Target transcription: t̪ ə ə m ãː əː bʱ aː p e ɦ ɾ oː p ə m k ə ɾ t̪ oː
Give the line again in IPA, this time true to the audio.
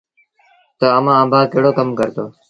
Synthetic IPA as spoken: t̪ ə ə m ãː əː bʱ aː k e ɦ ɽ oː k ə m k ə ɾ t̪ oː